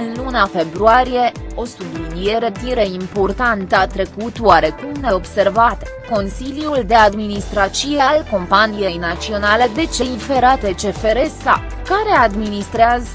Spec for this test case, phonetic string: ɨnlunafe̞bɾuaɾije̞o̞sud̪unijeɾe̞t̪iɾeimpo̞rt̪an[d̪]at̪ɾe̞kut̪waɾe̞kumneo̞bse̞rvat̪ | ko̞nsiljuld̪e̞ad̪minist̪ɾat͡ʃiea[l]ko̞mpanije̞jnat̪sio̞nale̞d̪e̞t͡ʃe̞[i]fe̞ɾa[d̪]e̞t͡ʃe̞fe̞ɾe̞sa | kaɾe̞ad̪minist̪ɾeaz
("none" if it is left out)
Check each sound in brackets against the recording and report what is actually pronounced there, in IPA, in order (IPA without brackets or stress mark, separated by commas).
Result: t̪, l, i, t̪